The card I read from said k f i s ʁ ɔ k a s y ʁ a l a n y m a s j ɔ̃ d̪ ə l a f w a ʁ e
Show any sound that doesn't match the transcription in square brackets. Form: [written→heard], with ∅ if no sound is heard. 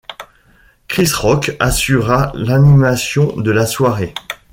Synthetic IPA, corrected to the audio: k [f→χ] i s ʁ ɔ k a s y ʁ a l a n [y→i] m a s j ɔ̃ d̪ ə l a [f→s] w a ʁ e